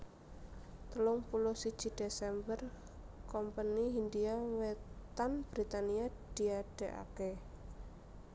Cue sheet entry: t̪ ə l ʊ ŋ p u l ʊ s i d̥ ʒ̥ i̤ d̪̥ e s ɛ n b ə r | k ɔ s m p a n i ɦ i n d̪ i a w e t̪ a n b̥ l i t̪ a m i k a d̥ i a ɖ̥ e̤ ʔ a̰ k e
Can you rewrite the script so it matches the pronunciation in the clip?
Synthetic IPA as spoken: t̪ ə l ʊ ŋ p u l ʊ s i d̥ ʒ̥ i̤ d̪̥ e s ɛ m b ə r | k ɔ m p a n i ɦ i n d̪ i a w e t̪ a n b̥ ɾ i t̪ a n i a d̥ i a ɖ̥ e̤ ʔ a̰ k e